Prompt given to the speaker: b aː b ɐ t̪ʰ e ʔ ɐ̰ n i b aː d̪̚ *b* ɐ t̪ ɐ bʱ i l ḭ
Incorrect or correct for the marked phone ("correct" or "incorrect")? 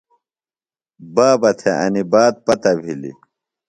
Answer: incorrect